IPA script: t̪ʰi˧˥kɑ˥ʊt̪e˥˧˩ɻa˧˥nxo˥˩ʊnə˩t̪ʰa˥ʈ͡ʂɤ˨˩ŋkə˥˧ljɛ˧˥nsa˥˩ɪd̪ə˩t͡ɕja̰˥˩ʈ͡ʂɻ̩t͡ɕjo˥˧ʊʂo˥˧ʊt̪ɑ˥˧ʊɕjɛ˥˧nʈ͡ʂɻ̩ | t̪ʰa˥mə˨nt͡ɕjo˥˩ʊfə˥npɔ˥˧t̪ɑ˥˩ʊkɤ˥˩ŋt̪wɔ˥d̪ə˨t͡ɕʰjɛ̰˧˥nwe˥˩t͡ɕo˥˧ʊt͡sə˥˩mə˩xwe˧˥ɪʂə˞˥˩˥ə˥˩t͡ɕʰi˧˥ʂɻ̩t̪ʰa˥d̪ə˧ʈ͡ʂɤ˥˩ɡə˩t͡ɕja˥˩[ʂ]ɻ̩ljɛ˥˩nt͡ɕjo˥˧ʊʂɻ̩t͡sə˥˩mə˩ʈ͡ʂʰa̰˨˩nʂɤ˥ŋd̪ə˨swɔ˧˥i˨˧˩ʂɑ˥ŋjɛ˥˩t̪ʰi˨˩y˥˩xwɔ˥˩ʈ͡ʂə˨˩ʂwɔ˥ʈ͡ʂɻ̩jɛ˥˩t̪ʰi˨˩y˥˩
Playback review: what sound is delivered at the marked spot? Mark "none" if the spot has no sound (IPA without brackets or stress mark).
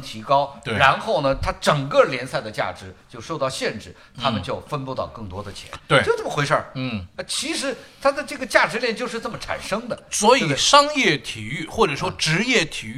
ʈ͡ʂ